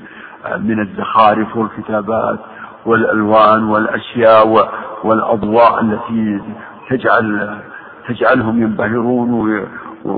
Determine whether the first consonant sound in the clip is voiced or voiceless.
voiced